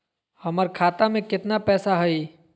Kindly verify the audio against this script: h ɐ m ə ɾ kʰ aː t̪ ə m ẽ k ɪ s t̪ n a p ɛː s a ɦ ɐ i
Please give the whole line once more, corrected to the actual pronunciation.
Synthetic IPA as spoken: h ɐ m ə ɾ kʰ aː t̪ a m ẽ k ɪ t̪ n a p ɛː s a ɦ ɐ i